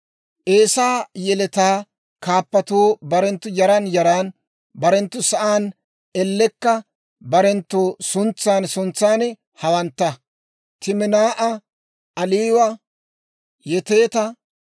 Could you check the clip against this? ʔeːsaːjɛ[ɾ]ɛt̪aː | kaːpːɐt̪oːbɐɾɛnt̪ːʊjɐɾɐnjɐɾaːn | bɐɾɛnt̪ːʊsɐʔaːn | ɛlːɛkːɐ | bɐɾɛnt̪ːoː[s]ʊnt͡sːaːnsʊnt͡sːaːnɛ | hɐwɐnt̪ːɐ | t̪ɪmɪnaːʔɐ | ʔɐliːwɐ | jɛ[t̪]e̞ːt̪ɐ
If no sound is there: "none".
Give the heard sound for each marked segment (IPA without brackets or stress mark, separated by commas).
l, s, t̪